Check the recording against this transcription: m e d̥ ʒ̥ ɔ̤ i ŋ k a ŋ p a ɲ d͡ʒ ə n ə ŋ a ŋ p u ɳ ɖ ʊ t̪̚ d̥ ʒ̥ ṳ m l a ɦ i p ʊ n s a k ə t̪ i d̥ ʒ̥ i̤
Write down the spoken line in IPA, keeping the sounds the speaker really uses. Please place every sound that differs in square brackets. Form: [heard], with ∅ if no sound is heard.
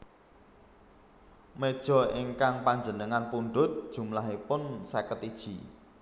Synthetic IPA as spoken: m e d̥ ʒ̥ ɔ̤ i ŋ k a ŋ p a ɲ d͡ʒ ə n ə ŋ a [n] p u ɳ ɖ ʊ t̪̚ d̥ ʒ̥ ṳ m l a ɦ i p ʊ n s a k ə t̪ i d̥ ʒ̥ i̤